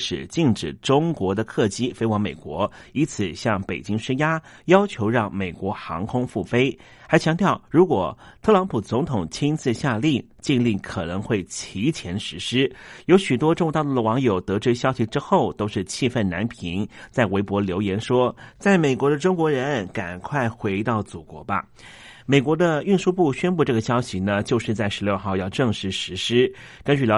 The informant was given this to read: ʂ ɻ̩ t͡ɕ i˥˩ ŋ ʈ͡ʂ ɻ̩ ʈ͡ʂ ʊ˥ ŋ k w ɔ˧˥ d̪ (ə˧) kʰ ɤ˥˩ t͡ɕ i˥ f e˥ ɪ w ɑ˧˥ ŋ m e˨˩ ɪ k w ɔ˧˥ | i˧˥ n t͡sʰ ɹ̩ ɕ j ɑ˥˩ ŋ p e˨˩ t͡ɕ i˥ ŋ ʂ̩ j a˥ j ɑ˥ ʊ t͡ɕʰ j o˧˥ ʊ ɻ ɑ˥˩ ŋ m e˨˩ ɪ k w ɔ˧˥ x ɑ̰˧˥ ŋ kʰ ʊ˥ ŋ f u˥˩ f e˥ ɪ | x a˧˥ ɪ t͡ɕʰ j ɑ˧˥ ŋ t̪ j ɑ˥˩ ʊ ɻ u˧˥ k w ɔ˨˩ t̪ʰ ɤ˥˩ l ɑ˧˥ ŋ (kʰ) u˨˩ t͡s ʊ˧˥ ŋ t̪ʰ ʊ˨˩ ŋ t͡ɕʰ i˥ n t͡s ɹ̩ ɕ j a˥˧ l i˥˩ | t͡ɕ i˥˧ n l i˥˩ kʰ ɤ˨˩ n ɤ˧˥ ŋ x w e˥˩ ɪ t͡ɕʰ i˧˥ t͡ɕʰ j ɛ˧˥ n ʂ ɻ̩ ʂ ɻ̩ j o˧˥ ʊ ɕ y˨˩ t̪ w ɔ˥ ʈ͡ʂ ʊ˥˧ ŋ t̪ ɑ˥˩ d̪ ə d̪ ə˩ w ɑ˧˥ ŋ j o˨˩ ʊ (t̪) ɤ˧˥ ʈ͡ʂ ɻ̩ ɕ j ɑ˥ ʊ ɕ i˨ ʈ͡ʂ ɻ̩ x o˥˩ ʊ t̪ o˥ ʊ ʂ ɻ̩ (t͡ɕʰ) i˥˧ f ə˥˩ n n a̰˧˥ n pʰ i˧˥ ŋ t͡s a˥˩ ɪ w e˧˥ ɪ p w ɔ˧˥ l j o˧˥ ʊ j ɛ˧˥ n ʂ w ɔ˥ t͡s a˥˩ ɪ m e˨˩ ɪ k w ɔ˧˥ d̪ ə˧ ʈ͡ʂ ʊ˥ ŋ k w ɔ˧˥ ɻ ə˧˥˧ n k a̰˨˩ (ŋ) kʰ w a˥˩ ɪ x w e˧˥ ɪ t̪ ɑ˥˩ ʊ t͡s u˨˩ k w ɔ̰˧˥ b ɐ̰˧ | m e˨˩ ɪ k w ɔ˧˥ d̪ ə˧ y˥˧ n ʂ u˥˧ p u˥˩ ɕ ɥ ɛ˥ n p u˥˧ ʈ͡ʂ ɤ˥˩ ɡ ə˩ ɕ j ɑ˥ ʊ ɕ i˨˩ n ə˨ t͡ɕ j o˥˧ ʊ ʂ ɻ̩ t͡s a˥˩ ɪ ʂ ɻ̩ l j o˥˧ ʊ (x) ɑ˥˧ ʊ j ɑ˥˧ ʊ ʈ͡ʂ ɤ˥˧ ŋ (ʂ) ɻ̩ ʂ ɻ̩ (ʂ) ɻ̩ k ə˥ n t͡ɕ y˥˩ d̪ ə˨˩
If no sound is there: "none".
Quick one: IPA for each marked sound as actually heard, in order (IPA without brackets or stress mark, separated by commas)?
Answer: ə˧, pʰ, t̪, t͡ɕʰ, n, x, ʂ, ʂ